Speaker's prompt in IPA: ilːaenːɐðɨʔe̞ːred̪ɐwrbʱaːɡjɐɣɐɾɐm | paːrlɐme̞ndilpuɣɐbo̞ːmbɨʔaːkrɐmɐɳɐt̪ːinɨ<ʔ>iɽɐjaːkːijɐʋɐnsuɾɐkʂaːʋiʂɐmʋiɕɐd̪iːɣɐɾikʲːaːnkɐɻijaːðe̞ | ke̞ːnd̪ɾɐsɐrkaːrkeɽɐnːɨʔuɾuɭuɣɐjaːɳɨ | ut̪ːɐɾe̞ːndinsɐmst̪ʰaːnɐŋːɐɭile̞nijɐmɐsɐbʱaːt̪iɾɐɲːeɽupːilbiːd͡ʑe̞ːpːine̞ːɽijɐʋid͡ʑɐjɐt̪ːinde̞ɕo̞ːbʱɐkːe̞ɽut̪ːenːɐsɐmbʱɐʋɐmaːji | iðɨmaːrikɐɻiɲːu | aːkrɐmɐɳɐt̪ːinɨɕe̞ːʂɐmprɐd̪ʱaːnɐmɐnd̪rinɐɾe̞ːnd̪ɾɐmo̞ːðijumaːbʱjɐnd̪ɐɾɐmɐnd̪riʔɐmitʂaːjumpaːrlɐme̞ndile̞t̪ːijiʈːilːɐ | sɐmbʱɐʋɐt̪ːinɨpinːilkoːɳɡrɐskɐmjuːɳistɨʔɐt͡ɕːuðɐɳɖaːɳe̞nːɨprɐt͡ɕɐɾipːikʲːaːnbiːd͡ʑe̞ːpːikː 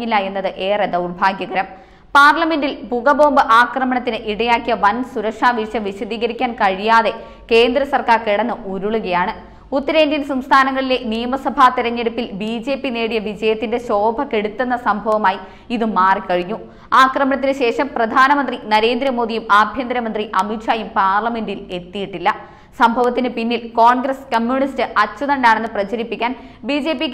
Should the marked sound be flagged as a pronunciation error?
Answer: no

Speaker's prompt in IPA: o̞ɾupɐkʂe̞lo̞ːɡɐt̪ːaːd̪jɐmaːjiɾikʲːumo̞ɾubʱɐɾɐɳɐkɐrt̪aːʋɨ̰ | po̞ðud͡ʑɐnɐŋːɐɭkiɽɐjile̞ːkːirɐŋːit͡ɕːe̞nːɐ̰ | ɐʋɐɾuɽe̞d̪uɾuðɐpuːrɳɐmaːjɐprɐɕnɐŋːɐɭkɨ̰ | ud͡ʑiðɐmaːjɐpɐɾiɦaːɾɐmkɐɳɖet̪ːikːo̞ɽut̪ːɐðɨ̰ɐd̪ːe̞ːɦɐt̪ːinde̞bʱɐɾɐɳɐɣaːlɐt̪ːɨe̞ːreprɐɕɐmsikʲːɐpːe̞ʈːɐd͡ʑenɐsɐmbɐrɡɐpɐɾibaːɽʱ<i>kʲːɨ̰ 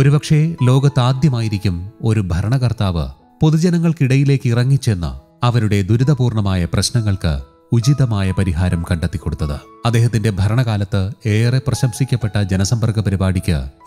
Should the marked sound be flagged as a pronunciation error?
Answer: no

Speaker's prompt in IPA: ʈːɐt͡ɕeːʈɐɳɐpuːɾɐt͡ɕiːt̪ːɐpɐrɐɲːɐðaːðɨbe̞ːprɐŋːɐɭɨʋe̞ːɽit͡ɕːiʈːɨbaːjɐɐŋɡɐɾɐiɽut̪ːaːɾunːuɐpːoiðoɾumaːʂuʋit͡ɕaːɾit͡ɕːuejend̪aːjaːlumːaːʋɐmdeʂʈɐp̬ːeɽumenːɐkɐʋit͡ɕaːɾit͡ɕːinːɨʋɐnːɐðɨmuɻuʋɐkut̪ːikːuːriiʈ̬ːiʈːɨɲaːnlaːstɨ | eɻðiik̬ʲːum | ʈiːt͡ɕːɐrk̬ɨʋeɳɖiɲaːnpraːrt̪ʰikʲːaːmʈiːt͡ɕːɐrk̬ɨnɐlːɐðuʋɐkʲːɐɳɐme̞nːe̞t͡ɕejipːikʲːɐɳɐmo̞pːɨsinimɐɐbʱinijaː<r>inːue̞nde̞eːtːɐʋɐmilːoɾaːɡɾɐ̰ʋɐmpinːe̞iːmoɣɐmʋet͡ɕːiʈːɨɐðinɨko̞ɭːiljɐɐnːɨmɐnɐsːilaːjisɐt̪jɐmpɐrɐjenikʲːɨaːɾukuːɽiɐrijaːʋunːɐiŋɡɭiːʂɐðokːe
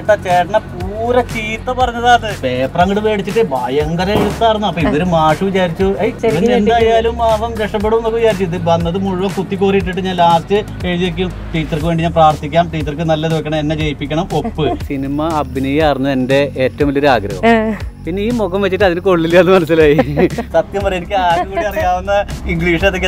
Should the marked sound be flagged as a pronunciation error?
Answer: no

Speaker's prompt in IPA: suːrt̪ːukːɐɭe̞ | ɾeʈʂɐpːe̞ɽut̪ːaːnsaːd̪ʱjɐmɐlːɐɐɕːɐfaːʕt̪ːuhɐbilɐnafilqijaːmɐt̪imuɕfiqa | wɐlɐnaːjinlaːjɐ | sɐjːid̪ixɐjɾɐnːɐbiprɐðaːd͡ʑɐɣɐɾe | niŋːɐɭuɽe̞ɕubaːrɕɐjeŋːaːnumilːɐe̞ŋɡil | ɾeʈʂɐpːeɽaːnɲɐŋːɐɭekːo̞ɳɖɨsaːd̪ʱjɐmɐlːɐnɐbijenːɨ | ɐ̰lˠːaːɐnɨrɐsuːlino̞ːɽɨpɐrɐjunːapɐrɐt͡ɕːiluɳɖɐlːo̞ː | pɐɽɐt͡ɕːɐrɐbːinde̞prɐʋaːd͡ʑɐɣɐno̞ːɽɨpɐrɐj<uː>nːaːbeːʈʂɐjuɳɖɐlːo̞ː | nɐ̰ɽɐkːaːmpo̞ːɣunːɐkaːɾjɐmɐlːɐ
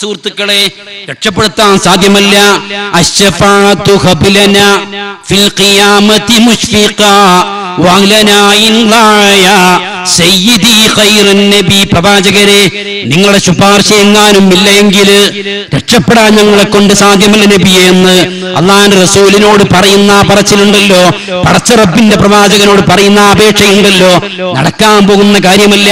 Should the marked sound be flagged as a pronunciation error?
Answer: yes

